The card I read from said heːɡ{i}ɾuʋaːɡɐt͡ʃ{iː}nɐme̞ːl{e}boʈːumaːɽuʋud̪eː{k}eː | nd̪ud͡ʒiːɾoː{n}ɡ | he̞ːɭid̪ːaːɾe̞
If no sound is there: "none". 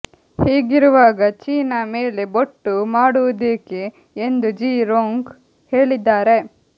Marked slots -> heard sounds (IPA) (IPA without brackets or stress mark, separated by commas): i, iː, e, k, ŋ